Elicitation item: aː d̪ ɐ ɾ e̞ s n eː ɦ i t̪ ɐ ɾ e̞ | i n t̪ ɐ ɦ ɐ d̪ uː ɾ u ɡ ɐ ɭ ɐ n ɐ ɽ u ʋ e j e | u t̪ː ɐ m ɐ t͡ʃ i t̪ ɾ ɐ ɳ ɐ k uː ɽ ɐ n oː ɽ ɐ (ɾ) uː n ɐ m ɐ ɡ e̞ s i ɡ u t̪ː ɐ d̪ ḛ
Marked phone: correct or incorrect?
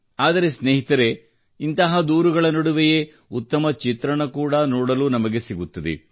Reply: incorrect: l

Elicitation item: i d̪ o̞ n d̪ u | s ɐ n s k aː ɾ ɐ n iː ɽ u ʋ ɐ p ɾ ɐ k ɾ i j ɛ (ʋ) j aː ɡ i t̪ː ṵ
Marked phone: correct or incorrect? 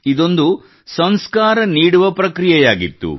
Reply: incorrect: none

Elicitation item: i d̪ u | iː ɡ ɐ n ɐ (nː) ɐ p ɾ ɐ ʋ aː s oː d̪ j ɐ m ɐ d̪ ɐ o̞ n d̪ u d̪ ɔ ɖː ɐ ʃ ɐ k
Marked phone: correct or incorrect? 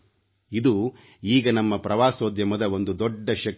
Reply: incorrect: mː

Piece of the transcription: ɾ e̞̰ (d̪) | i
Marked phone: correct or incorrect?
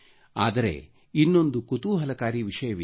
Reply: incorrect: none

